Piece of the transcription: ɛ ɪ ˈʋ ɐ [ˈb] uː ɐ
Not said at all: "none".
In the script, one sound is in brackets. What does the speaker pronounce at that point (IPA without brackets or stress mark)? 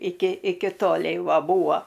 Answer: b